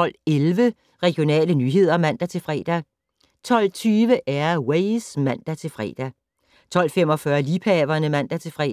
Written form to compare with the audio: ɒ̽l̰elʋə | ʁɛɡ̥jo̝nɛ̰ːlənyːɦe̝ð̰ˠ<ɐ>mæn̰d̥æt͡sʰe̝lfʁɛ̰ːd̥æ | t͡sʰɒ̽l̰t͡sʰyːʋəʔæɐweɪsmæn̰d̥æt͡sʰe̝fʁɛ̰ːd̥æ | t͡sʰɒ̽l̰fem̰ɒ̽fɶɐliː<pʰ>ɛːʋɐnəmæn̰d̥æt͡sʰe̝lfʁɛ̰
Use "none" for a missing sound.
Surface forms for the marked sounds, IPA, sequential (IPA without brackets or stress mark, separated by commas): ɐ, pʰ